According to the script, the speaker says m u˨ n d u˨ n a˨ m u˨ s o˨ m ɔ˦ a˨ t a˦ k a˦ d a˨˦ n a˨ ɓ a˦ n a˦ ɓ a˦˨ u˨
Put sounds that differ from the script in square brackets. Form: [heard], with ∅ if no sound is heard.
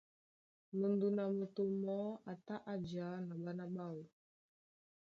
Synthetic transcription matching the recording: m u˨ n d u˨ n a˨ m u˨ [t] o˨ m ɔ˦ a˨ t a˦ [ʔ] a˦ [d͡ʒ] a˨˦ n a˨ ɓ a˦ n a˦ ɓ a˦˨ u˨

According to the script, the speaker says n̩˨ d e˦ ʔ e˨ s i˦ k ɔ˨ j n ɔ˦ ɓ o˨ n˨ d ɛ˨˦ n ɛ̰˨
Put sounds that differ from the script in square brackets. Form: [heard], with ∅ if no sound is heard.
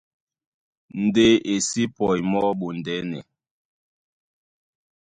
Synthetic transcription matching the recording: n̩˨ d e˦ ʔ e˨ s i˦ [p] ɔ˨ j [m] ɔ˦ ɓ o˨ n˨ d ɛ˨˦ n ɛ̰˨

